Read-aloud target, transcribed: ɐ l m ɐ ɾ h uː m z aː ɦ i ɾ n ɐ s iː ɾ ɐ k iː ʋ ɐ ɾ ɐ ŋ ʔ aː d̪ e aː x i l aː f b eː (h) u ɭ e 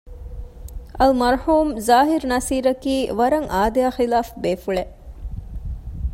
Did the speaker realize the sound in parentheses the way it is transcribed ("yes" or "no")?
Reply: no